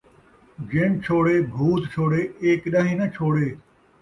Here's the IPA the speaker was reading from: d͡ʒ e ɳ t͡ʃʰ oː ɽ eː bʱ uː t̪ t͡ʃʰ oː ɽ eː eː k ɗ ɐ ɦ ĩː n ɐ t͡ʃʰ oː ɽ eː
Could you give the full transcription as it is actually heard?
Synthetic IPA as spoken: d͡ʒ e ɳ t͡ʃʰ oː ɽ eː bʱ uː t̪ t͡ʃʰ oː ɽ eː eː k ɗ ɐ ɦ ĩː n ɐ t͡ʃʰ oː ɽ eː

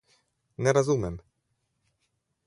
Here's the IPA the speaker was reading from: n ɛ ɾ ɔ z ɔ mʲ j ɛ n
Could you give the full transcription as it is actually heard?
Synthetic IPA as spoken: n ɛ ɾ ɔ z u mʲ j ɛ m

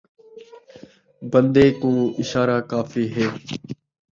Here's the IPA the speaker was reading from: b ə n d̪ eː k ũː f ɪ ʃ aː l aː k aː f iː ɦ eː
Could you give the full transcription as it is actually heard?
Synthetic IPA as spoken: b ə n d̪ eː k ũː ɪ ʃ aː ɾ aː k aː f iː ɦ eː

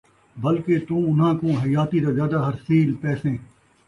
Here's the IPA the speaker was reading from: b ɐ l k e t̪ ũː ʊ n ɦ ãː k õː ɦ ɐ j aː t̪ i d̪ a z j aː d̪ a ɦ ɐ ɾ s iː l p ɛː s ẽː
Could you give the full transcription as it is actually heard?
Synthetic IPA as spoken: b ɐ l k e t̪ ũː ʊ n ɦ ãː k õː ɦ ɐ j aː t̪ i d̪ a z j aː d̪ a ɦ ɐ ɾ s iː l p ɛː s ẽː

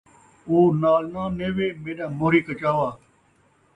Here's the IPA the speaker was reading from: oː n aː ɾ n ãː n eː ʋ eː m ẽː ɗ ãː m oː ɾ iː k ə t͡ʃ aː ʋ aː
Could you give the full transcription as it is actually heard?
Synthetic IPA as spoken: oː n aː l n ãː n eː ʋ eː m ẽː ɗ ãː m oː ɾ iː k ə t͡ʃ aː ʋ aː

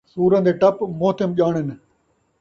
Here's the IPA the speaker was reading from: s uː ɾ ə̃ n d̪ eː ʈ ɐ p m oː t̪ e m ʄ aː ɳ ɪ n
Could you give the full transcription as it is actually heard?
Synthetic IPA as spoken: s uː ɾ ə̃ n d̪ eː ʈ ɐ p m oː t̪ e m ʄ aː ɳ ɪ n

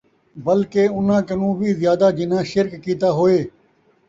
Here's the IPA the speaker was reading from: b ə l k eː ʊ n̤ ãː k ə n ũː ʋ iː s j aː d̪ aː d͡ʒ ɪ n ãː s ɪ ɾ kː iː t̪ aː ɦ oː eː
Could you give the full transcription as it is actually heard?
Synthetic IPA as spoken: b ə l k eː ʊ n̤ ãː k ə n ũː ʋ iː z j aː d̪ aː d͡ʒ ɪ n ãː ʃ ɪ ɾ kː iː t̪ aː ɦ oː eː

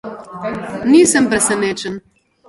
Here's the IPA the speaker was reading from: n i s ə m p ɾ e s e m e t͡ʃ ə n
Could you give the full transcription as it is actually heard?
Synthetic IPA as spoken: n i s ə m p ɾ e s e n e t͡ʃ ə n

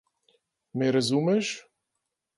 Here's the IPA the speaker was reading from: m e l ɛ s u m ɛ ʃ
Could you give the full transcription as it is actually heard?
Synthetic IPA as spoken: m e ɾ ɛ z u m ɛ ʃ

